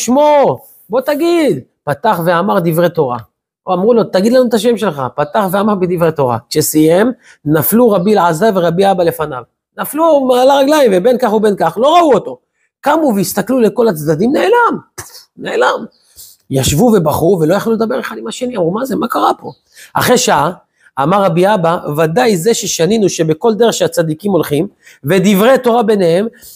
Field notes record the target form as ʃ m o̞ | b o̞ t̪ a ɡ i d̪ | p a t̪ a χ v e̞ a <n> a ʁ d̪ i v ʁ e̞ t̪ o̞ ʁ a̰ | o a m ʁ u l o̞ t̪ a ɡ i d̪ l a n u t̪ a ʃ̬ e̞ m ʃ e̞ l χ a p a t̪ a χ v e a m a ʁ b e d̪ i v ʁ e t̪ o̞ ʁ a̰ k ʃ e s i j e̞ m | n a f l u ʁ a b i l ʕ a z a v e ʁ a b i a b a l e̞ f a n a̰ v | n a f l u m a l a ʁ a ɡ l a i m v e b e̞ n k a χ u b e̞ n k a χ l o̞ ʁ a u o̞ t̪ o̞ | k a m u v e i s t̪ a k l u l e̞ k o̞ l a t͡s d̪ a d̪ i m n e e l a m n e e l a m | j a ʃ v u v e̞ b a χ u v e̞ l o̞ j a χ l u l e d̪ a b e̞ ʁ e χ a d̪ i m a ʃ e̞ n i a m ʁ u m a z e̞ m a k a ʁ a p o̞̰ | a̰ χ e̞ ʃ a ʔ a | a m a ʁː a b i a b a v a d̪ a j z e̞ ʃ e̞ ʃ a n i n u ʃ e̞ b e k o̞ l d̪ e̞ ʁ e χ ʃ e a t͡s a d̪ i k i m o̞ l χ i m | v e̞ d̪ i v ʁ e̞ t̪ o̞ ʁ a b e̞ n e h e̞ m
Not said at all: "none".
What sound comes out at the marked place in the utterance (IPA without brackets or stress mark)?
m